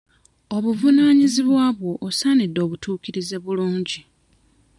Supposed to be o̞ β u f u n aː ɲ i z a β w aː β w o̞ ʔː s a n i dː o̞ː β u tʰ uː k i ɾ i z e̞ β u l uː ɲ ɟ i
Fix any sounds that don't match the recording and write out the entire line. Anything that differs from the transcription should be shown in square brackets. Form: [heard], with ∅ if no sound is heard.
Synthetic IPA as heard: o̞ β u [v] u n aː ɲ i z [i] β w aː β w o̞ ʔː s a n i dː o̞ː β u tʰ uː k i ɾ i z e̞ β u l uː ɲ ɟ i